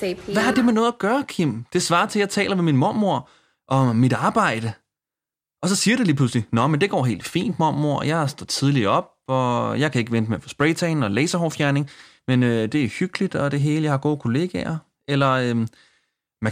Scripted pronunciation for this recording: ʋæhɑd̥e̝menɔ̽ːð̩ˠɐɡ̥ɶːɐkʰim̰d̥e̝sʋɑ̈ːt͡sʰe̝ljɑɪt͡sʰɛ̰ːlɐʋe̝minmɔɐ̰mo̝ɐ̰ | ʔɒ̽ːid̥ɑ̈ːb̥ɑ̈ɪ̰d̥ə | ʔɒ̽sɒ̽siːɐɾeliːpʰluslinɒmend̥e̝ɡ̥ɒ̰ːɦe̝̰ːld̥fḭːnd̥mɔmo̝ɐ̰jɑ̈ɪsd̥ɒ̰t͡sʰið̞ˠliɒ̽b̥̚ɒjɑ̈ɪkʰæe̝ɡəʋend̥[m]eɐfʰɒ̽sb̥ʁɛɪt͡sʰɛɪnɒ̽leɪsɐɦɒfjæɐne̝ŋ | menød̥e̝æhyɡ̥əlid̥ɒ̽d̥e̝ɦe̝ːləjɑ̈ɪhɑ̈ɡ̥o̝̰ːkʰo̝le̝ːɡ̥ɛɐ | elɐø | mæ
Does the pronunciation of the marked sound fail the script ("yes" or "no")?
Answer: no